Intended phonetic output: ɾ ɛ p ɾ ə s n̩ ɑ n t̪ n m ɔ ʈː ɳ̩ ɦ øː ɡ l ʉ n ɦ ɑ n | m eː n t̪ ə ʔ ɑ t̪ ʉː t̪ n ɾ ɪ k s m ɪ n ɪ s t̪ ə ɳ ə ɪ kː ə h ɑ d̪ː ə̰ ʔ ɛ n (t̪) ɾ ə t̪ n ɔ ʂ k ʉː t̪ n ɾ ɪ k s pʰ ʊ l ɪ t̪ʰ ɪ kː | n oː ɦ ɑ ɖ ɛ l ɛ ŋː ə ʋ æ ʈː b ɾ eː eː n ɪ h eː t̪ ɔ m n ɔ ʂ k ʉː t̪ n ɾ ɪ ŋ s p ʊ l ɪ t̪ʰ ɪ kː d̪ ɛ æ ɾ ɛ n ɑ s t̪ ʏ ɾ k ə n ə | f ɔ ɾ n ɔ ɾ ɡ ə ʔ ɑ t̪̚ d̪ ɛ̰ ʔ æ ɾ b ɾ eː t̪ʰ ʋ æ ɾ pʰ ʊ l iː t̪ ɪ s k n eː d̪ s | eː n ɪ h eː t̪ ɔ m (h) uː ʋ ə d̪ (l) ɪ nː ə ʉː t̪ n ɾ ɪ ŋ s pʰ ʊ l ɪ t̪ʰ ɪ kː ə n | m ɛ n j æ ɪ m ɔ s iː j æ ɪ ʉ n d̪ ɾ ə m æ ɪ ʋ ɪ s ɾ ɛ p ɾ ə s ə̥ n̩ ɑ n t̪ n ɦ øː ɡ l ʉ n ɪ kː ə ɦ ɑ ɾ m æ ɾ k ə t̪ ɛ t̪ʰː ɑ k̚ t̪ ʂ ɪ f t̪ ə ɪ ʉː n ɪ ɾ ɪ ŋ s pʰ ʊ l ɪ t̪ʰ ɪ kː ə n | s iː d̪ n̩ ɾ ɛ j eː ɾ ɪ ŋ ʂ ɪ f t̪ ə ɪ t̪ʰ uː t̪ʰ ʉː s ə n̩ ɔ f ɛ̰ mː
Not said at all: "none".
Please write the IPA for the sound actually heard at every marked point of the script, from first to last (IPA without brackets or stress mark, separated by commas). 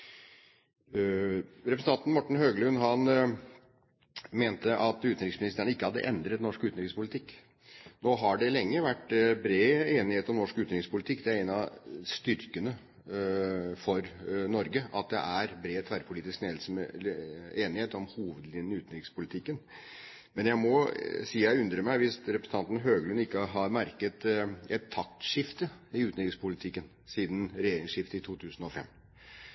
d̪, h, l